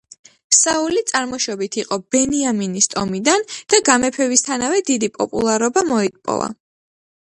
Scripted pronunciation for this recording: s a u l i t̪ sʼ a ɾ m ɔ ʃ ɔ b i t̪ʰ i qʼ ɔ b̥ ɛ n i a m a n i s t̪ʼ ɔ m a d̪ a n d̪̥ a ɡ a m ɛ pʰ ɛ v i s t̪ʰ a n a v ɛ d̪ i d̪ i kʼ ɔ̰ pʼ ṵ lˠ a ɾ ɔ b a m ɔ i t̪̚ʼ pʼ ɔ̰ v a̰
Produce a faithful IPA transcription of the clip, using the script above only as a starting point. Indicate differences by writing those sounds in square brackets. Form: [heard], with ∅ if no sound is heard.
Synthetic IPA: s a u l i t̪ sʼ a ɾ m ɔ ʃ ɔ b i t̪ʰ i qʼ ɔ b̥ ɛ n i a m [i] n i s t̪ʼ ɔ m [i] d̪ a n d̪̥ a ɡ a m ɛ pʰ ɛ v i s t̪ʰ a n a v ɛ d̪ i d̪ i [pʼ] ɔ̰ pʼ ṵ lˠ a ɾ ɔ b a m ɔ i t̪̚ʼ pʼ ɔ̰ v a̰